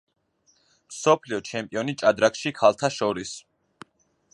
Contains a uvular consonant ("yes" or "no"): no